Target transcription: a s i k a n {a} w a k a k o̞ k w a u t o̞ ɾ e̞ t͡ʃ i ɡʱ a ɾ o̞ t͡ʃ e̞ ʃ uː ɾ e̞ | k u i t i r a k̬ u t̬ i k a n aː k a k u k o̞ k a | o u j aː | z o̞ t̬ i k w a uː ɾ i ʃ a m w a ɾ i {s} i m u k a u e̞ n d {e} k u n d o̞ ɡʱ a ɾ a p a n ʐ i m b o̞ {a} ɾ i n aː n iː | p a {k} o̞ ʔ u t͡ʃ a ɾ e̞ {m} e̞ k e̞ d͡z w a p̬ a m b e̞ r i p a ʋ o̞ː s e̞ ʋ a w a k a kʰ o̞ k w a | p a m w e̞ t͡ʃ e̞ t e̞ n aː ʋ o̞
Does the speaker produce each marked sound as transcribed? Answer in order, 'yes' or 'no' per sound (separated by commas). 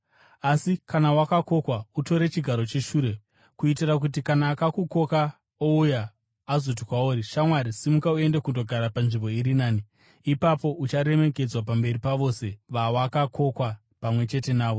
yes, yes, yes, no, no, yes